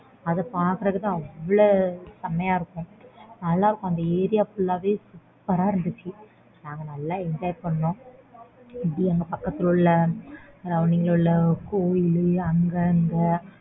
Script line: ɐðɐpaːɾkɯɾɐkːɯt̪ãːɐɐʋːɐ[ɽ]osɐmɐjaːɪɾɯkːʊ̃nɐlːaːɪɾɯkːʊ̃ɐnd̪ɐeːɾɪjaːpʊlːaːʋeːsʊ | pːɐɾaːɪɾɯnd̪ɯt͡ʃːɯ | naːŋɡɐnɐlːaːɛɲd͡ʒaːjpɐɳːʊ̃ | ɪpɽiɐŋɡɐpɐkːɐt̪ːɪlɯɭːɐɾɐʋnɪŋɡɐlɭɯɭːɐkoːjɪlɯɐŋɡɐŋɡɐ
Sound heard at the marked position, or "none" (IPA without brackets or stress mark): ɭ